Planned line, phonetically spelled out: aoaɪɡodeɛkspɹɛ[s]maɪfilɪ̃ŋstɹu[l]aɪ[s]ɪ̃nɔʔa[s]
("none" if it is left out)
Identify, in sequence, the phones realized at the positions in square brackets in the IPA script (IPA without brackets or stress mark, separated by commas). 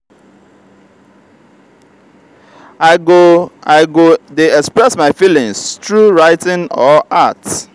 s, ɹ, t, t